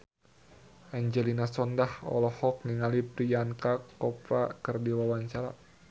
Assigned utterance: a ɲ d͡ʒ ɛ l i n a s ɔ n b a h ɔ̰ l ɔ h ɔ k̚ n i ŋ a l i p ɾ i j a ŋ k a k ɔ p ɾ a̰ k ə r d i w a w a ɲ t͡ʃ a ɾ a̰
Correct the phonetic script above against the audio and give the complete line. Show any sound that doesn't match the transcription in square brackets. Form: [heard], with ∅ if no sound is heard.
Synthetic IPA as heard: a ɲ d͡ʒ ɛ l i n a s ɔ n [d] a h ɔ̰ l ɔ h ɔ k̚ n i ŋ a l i p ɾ i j a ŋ k a k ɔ p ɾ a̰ k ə r d i w a w a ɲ t͡ʃ a ɾ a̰